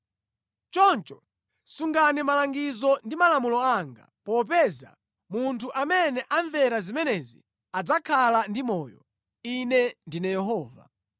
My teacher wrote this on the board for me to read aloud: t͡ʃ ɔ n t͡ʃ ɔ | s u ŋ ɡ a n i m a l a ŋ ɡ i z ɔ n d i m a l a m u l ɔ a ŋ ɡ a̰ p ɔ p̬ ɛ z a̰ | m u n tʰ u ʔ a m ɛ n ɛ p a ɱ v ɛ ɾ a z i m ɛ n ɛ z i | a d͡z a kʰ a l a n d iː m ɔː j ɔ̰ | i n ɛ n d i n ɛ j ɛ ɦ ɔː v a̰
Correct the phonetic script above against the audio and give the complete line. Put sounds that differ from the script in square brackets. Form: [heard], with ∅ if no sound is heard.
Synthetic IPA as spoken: t͡ʃ ɔ n t͡ʃ ɔ | s u ŋ ɡ a n i m a l a ŋ ɡ i z ɔ n d i m a l a m u l ɔ a ŋ ɡ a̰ p ɔ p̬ ɛ z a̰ | m u n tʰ u ʔ a m ɛ n ɛ [ʔ] a ɱ v ɛ ɾ a z i m ɛ n ɛ z i | a d͡z a kʰ a l a n d [i] m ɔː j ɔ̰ | i n ɛ n d i n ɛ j ɛ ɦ ɔː v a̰